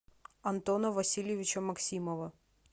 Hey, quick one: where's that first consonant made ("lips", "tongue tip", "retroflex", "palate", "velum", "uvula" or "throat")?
tongue tip